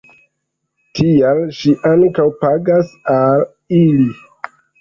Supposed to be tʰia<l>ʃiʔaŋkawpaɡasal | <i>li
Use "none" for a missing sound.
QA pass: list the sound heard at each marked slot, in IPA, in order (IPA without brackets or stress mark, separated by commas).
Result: l, i